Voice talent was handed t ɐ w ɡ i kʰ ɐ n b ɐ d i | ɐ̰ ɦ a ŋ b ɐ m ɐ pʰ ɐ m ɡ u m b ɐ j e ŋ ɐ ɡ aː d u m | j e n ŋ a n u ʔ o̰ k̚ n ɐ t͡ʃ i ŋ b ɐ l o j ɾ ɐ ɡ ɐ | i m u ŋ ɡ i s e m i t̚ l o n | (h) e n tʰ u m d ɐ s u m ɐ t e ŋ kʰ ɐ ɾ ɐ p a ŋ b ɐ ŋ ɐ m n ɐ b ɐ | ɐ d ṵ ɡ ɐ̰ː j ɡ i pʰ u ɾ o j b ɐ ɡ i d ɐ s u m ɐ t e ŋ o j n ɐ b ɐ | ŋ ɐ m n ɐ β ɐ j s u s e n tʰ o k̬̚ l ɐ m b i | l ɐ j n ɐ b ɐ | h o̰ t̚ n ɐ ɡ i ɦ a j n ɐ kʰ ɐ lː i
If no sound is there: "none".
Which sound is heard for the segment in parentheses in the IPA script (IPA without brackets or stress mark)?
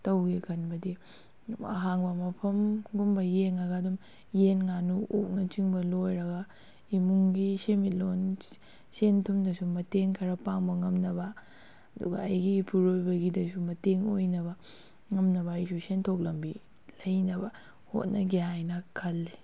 s